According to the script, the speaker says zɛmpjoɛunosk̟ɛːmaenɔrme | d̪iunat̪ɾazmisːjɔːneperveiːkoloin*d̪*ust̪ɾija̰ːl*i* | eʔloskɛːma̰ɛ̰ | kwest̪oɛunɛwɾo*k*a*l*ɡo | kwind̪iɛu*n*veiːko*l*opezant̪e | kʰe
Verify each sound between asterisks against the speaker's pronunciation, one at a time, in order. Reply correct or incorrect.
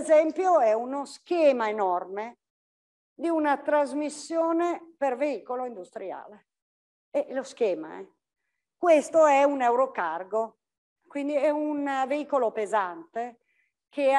correct, incorrect, correct, incorrect, correct, correct

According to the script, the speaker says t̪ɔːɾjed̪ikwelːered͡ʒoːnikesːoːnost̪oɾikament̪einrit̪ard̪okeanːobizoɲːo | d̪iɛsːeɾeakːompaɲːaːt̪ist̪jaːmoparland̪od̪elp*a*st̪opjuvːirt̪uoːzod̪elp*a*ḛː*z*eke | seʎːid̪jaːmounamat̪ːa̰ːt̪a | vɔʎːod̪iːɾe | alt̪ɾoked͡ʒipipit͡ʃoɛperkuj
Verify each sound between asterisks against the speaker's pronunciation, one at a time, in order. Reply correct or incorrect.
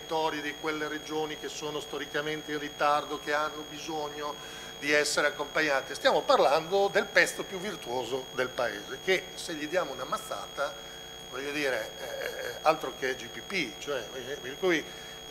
incorrect, correct, correct

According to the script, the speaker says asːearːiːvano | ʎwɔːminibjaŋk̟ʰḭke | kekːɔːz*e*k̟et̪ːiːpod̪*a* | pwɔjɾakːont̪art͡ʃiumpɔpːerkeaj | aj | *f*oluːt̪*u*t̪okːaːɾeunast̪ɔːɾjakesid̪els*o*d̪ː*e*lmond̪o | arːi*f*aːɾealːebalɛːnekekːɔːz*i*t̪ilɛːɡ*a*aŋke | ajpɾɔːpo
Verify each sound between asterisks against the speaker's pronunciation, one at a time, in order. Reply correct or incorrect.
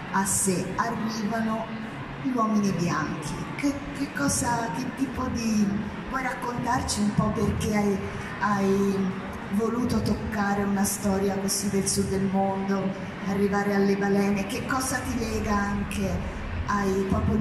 incorrect, incorrect, incorrect, incorrect, incorrect, correct, incorrect, incorrect, correct

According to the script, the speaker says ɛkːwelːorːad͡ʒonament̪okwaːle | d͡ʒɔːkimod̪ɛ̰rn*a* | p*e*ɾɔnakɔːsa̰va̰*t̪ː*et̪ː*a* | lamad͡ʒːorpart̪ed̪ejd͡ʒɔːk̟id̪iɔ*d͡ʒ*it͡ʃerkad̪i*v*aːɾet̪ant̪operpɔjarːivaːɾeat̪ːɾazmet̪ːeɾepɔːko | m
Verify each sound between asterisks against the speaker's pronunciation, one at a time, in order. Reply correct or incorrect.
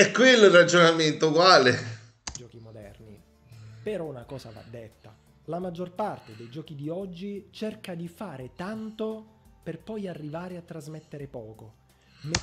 incorrect, correct, incorrect, correct, incorrect, incorrect

